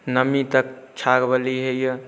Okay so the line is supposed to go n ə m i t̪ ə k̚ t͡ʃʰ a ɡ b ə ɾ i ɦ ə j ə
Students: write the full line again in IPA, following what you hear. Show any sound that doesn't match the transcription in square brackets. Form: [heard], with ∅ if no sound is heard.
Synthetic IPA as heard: n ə m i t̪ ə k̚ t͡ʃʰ a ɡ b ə [l] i ɦ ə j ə